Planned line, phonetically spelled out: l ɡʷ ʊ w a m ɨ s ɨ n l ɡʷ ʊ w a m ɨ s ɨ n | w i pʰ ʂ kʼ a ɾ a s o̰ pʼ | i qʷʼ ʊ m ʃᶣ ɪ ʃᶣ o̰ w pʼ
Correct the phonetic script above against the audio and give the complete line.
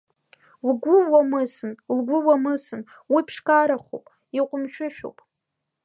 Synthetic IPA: l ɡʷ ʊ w a m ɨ s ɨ n l ɡʷ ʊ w a m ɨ s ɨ n | w i pʰ ʂ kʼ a ɾ a χ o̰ pʼ | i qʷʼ ʊ m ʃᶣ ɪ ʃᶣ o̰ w pʼ